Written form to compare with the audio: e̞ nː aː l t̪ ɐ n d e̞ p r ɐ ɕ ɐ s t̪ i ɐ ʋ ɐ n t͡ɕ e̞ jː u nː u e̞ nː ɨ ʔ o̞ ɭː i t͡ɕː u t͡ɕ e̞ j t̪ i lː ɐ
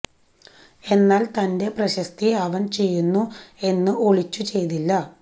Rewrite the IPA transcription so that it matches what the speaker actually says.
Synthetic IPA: e̞ nː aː l t̪ ɐ n d e̞ p r ɐ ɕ ɐ s t̪ i ɐ ʋ ɐ n t͡ɕ e̞ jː u nː u e̞ nː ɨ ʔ o̞ ɭ i t͡ɕː u t͡ɕ e̞ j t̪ i lː ɐ